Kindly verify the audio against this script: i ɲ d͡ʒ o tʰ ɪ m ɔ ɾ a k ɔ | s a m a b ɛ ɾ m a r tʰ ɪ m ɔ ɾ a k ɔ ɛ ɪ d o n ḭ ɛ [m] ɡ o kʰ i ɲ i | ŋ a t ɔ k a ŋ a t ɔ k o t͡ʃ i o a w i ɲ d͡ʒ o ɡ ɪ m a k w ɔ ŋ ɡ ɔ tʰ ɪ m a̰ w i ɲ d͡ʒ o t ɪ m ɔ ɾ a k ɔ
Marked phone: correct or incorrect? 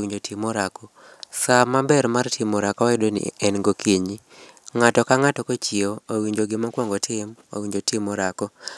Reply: incorrect